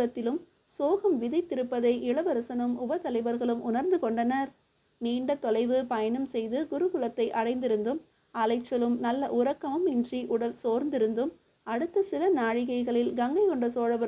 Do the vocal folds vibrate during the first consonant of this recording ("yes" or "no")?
no